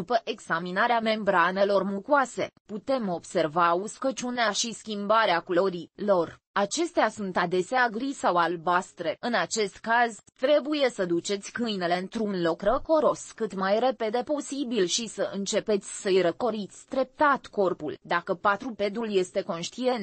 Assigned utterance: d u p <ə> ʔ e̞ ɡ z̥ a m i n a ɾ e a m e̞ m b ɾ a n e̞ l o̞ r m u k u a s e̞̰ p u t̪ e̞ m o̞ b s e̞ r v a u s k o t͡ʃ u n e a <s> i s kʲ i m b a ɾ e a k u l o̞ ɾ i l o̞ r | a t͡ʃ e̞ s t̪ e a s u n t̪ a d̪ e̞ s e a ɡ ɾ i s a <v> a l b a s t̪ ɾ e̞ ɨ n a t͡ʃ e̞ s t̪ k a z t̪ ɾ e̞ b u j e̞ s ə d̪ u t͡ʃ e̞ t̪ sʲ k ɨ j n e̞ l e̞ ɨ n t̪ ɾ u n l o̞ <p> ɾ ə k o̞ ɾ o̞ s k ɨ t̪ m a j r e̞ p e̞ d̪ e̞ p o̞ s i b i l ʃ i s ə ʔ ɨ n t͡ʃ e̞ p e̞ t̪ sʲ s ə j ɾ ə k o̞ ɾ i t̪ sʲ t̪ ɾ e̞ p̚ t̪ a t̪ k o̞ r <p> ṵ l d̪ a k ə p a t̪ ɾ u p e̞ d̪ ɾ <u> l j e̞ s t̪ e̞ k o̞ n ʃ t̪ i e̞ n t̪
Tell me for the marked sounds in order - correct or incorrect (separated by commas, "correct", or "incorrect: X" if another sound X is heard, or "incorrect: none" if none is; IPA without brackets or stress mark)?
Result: correct, incorrect: ʃ, incorrect: w, incorrect: k, correct, correct